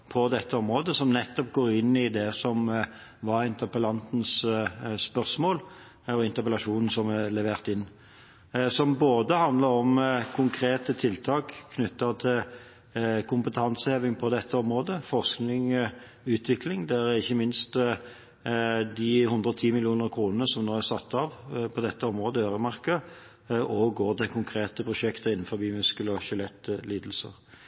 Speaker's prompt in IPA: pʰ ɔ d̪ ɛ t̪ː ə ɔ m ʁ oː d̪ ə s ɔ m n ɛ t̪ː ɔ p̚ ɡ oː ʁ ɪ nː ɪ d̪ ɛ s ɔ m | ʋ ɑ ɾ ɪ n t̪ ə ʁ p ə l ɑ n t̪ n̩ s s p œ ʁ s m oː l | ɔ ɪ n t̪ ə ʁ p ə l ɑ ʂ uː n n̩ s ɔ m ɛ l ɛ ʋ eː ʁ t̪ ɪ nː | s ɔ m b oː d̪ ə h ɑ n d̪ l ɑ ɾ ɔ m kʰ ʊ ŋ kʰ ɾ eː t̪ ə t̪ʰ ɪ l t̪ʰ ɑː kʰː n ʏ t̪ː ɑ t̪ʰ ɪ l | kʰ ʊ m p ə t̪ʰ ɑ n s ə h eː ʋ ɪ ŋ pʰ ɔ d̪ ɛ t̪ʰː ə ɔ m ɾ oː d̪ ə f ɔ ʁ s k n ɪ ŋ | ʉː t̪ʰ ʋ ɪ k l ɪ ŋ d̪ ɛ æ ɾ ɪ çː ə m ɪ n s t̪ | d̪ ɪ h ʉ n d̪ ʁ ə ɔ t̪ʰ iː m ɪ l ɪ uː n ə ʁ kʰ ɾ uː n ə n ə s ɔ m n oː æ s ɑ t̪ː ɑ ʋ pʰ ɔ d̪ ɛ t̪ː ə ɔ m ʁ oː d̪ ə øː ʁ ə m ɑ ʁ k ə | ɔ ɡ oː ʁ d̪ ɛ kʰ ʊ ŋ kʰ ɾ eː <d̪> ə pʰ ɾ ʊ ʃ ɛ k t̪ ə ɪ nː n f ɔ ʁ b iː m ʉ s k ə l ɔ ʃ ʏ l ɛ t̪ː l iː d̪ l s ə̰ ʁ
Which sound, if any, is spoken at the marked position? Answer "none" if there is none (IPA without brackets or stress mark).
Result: t̪